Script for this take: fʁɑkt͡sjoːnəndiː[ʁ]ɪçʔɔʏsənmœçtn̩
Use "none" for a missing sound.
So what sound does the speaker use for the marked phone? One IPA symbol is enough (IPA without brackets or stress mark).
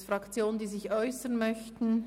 z